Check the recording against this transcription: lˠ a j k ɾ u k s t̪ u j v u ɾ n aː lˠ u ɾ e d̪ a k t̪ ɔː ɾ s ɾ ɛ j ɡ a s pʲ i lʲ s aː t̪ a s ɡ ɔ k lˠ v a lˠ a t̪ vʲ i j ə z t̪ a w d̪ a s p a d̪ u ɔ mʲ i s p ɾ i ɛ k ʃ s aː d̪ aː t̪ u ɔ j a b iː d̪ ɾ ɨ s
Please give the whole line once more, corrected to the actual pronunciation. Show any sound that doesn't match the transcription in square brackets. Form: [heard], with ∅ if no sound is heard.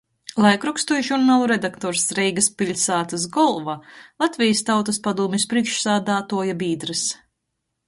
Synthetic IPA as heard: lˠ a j k ɾ u k s t̪ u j [ʒ] u ɾ n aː lˠ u ɾ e d̪ a k t̪ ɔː ɾ s ɾ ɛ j ɡ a s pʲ i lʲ s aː t̪ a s ɡ ɔ [∅] lˠ v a lˠ a t̪ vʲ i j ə [s] t̪ a w [t̪] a s p a d̪ u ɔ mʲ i s p ɾ i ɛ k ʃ s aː d̪ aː t̪ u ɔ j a b iː d̪ ɾ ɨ s